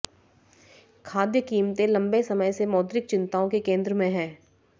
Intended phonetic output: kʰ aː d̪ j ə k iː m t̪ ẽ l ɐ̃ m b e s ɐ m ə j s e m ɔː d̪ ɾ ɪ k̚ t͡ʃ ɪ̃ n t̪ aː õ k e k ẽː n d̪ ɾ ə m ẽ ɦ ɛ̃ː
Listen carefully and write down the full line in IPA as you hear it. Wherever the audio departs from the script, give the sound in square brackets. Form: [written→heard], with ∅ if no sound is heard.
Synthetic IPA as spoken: kʰ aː d̪ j ə k iː m t̪ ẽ l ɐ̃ m b e s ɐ m ə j s e m ɔː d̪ ɾ ɪ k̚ t͡ʃ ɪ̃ n t̪ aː õ k e k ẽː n d̪ ɾ ə m ẽ ɦ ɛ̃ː